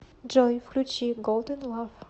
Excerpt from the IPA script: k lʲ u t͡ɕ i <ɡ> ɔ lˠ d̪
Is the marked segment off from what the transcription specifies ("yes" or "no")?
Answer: no